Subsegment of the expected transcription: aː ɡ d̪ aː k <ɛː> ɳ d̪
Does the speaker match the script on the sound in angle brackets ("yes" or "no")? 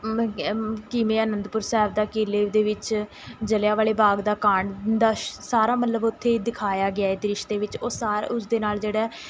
no